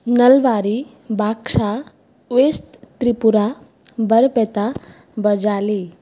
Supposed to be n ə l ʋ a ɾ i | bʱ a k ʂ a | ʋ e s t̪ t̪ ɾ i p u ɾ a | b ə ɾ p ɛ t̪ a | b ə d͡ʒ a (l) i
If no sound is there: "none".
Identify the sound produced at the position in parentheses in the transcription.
l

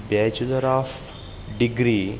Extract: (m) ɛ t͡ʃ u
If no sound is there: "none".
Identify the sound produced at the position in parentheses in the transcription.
b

